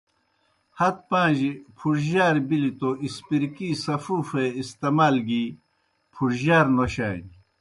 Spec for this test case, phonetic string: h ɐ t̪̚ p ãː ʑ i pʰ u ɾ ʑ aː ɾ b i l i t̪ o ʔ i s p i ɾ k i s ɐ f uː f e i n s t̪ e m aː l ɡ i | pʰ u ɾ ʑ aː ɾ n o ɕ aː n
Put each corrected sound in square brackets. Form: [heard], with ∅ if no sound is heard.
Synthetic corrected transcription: h ɐ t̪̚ p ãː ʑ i pʰ u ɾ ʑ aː ɾ b i l i t̪ o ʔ i s p i ɾ k i s ɐ f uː f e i [∅] s t̪ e m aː l ɡ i | pʰ u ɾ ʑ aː ɾ n o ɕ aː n